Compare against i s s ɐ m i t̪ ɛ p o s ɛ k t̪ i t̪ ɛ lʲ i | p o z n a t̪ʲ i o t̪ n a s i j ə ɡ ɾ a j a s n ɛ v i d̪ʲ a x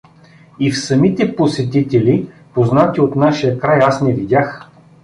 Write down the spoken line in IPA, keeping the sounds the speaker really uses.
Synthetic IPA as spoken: i f s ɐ m i t̪ ɛ p o s ɛ t̪ i t̪ ɛ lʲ i | p o z n a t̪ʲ i o t̪ n a ʃ i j ə k ɾ a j a s n ɛ v i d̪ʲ a x